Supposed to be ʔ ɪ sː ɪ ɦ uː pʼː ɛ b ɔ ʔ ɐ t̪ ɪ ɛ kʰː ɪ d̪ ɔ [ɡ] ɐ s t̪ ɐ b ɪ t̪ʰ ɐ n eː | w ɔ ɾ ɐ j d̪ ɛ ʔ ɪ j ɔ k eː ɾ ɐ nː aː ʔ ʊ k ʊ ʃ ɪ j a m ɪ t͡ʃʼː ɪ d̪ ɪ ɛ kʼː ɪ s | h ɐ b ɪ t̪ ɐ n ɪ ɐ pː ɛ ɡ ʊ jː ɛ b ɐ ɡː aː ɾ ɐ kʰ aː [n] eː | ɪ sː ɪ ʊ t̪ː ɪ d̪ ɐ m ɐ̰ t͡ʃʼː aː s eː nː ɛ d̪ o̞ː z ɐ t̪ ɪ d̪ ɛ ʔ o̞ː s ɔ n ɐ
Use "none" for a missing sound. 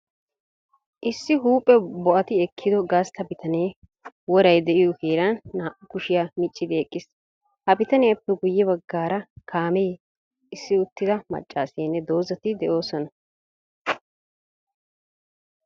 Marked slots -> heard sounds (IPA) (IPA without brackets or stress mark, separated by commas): ɡ, m